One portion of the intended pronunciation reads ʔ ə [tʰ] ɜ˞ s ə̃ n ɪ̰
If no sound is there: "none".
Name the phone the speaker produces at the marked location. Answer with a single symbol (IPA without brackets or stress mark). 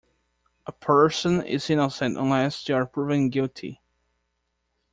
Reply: pʰ